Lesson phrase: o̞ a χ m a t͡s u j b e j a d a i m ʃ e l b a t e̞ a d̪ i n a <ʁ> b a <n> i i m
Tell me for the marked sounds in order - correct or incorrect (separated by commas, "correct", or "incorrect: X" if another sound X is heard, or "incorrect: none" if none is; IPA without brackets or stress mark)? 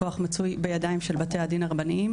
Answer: correct, correct